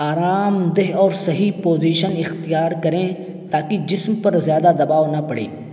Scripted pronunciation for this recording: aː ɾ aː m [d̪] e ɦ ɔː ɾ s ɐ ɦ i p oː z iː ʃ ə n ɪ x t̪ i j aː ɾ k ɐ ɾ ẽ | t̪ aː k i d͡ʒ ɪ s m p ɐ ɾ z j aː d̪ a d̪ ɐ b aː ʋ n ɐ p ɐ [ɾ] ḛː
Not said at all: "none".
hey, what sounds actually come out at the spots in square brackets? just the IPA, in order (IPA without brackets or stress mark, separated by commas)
d̪, ɽ